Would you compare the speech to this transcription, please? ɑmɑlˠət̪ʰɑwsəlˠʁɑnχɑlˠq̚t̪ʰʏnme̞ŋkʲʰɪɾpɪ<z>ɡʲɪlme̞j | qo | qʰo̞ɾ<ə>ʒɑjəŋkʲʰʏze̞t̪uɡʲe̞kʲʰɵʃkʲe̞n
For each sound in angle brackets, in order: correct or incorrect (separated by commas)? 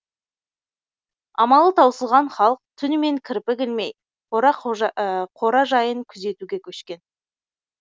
incorrect, incorrect